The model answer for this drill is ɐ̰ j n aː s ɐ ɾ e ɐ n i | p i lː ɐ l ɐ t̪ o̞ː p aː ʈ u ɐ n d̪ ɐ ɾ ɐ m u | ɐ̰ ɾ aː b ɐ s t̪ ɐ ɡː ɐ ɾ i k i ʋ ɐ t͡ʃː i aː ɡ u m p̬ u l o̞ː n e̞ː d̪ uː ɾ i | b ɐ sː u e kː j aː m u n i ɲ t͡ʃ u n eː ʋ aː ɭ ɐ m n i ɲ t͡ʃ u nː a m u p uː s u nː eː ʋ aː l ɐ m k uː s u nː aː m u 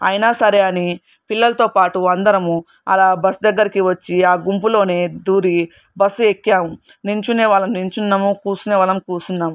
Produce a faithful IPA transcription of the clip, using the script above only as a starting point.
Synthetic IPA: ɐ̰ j n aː s ɐ ɾ e ɐ n i | p i lː ɐ l ɐ t̪ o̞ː p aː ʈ u ɐ n d̪ ɐ ɾ ɐ m u | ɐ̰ l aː b ɐ s d̪ ɐ ɡː ɐ ɾ i k i ʋ ɐ t͡ʃː i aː ɡ u m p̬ u l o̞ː n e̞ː d̪ uː ɾ i | b ɐ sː u e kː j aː m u n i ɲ t͡ʃ u n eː ʋ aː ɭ ɐ m n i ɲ t͡ʃ u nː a m u k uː s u n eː ʋ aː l ɐ m k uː s u nː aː m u